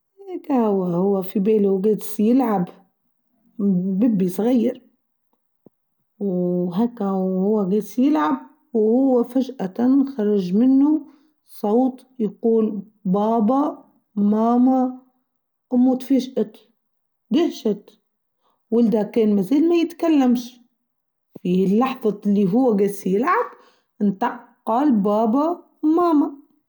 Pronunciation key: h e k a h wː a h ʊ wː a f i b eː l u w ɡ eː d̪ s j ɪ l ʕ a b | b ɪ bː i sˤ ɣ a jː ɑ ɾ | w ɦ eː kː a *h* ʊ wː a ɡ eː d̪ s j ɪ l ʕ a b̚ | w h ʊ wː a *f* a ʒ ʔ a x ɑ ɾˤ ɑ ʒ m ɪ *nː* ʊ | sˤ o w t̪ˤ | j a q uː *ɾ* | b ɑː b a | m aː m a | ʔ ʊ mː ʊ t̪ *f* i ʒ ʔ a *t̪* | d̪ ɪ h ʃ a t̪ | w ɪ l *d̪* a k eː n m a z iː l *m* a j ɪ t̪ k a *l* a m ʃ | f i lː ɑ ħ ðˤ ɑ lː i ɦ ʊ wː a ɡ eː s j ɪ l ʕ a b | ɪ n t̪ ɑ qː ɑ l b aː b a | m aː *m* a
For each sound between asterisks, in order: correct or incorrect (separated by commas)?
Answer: correct, correct, correct, incorrect, correct, correct, correct, correct, incorrect, correct